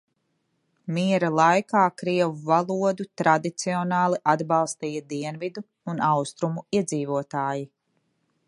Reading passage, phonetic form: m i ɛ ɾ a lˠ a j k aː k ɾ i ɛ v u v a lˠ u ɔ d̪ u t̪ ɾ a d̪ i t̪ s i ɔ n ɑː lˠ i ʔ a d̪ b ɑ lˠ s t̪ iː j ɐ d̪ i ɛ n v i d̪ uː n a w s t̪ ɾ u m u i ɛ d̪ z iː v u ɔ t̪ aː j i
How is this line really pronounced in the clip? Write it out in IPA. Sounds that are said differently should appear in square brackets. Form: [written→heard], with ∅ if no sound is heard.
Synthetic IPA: m i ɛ ɾ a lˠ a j k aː k ɾ i ɛ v u v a lˠ u ɔ d̪ u t̪ ɾ a d̪ i t̪ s i ɔ n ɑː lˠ i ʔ a d̪ b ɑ lˠ s t̪ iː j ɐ d̪ i ɛ n v i d̪ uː n a w s t̪ ɾ u m u i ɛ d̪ z iː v u ɔ t̪ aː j i

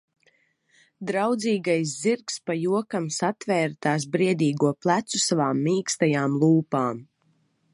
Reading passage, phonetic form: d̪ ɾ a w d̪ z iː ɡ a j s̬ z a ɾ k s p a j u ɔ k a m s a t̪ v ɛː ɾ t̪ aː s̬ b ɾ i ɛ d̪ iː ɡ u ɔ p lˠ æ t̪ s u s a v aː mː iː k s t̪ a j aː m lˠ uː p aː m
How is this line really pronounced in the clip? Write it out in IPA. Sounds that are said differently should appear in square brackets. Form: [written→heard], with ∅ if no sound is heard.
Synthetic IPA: d̪ ɾ a w d̪ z iː ɡ a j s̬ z [a→i] ɾ k s p a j u ɔ k a m s a t̪ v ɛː ɾ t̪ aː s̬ b ɾ i ɛ d̪ iː ɡ u ɔ p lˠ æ t̪ s u s a v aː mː iː k s t̪ a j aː m lˠ uː p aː m

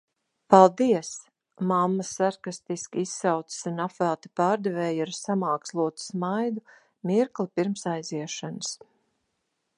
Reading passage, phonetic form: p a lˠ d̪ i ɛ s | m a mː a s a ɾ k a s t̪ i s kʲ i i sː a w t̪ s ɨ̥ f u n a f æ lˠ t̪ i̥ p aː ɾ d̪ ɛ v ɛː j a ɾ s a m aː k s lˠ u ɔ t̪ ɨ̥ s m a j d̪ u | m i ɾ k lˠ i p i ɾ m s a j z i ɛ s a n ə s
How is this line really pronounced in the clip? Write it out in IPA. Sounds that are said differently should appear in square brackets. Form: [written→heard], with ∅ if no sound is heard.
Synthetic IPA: p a lˠ d̪ i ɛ s | m a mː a s a ɾ k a s t̪ i s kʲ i i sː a w t̪ s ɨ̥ [f→s] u n a f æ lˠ t̪ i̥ p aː ɾ d̪ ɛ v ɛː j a ɾ s a m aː k s lˠ u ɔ t̪ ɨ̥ s m a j d̪ u | m i ɾ k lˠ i p i ɾ m s a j z i ɛ [s→ʃ] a n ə s

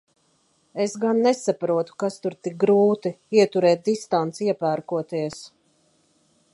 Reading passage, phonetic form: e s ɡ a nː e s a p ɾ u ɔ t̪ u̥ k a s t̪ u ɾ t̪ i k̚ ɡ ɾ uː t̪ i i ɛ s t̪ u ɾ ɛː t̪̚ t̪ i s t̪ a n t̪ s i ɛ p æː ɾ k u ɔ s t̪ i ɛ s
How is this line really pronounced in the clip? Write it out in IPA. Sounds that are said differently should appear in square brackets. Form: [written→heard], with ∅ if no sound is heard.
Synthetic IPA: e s ɡ a nː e s a p ɾ u ɔ t̪ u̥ k a s t̪ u ɾ t̪ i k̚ ɡ ɾ uː t̪ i i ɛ [s→∅] t̪ u ɾ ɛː t̪̚ [t̪→d̪] i s t̪ a n t̪ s i ɛ p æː ɾ k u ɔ [s→∅] t̪ i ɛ s

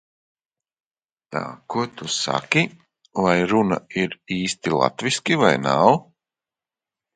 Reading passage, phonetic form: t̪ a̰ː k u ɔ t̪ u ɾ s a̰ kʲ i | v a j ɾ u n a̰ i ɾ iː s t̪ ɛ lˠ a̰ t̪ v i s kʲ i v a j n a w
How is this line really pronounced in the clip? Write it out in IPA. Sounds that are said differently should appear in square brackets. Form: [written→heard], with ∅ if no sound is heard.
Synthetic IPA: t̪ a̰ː k u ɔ t̪ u [ɾ→∅] s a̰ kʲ i | v a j ɾ u n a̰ i ɾ iː s t̪ [ɛ→i] lˠ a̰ t̪ v i s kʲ i v a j n a w

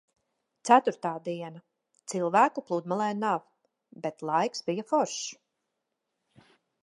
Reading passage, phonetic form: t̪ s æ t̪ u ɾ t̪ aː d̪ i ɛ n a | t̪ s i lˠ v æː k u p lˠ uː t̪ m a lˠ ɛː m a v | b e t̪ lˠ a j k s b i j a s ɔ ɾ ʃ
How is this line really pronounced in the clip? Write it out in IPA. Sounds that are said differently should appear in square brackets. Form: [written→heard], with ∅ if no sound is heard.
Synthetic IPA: t̪ s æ t̪ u ɾ t̪ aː d̪ i ɛ n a | t̪ s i lˠ v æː k u p lˠ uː [t̪→d̪] m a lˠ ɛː [m→n] a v | b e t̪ lˠ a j k s b i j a [s→f] ɔ ɾ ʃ

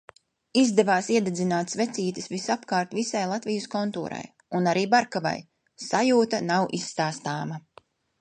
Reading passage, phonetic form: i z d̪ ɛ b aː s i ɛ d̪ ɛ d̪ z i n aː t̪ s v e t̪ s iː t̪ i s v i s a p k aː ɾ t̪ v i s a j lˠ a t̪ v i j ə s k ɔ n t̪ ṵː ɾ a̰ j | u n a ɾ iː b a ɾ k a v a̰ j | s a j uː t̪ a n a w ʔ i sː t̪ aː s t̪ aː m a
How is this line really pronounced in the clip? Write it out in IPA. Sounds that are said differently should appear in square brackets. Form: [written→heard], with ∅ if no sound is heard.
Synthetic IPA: i z d̪ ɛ [b→v] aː s i ɛ d̪ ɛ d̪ z i n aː t̪ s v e t̪ s iː t̪ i s v i s a p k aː ɾ t̪ v i s a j lˠ a t̪ v i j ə s k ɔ n t̪ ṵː ɾ a̰ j | u n a ɾ iː b a ɾ k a v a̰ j | s a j uː t̪ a n a w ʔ i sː t̪ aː s t̪ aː m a

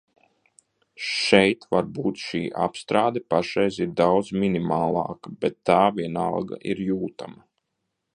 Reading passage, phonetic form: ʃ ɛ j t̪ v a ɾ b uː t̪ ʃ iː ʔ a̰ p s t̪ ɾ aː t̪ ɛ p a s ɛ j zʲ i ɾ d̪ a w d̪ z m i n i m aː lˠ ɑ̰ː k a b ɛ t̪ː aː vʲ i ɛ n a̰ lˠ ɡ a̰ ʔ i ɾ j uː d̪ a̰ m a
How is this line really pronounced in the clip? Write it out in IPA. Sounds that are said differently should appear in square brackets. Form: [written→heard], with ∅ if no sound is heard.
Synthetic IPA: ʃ ɛ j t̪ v a ɾ b uː t̪ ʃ iː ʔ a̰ p s t̪ ɾ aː [t̪→d̪] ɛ p a [s→ʃ] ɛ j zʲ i ɾ d̪ a w d̪ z m i n i m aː lˠ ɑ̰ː k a b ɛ t̪ː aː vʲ i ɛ n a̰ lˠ ɡ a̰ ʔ i ɾ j uː [d̪→t̪] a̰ m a

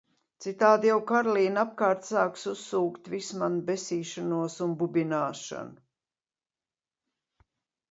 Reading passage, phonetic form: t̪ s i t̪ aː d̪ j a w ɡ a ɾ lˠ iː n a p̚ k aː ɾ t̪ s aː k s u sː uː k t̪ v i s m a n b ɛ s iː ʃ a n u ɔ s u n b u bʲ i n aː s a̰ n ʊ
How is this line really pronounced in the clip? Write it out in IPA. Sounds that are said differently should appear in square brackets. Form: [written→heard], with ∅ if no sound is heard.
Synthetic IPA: t̪ s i t̪ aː d̪ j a w [ɡ→k] a ɾ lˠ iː n a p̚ k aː ɾ t̪ s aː k s u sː uː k t̪ v i s m a n b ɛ s iː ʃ a n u ɔ s u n b u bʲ i n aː [s→ʃ] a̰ n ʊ

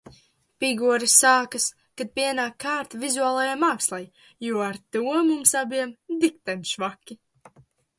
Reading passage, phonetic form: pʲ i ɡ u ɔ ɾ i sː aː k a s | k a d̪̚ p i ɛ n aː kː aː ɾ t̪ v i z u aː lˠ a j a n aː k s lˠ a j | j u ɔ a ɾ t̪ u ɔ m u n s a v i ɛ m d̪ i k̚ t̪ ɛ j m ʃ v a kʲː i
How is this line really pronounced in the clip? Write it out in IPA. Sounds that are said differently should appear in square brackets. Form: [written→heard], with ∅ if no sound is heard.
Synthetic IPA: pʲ i ɡ u ɔ ɾ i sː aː k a s | k a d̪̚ p i ɛ n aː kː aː ɾ t̪ v i z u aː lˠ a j a [n→m] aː k s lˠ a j | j u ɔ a ɾ t̪ u ɔ m u [n→m] s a [v→b] i ɛ m d̪ i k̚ t̪ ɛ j m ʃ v a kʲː i

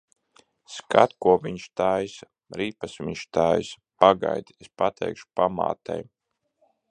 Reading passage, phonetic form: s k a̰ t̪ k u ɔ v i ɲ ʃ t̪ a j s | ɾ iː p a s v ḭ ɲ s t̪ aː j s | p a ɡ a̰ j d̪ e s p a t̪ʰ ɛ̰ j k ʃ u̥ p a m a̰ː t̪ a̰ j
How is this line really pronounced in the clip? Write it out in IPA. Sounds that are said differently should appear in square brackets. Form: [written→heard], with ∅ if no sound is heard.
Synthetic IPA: s k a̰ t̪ k u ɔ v i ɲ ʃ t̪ a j s | ɾ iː p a s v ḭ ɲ [s→ʃ] t̪ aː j s | p a ɡ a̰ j d̪ e s p a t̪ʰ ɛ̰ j k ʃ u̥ p a m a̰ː t̪ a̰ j

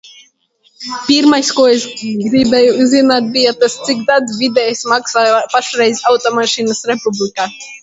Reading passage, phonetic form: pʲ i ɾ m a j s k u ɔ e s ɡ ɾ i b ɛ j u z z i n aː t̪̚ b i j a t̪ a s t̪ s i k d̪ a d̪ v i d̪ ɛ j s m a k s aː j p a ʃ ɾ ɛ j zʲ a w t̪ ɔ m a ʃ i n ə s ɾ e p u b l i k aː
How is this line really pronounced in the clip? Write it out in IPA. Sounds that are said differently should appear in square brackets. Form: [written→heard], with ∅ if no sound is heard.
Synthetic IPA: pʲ i ɾ m a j s k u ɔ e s ɡ ɾ i b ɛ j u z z i n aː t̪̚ b i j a t̪ a s t̪ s i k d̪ a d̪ v i d̪ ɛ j s m a k s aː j p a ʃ ɾ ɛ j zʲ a w t̪ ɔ m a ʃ i n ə s ɾ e p u b l i k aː

